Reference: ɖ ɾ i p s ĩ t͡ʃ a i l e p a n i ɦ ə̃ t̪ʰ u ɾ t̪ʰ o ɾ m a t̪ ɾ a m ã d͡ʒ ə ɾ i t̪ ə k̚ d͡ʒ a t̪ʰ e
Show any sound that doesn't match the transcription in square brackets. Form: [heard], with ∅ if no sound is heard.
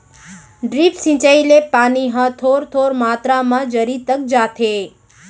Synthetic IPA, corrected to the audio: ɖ ɾ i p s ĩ t͡ʃ a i l e p a n i ɦ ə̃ t̪ʰ [o] ɾ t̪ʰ o ɾ m a t̪ ɾ a m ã d͡ʒ ə ɾ i t̪ ə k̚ d͡ʒ a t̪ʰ e